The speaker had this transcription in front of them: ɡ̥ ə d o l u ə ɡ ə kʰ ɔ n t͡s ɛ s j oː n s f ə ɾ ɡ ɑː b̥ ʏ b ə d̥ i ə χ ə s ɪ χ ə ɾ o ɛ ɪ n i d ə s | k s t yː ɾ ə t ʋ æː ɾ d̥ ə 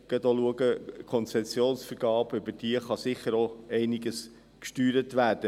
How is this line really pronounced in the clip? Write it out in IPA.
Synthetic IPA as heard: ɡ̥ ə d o l u ə ɡ ə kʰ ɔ n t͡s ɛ s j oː n s f ə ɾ ɡ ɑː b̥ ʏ b ə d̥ i ə χ ɑ s ɪ χ ə ɾ o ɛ ɪ n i ɡ ə s | k ʃ t yː ɾ ə t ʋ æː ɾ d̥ ə